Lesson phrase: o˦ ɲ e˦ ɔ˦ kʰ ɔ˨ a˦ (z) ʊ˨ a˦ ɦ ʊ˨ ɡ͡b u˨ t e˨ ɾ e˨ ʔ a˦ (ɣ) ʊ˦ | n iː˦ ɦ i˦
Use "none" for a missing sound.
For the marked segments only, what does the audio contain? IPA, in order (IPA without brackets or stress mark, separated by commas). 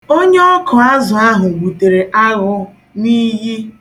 z, ɣ